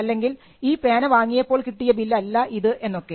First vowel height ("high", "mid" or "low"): low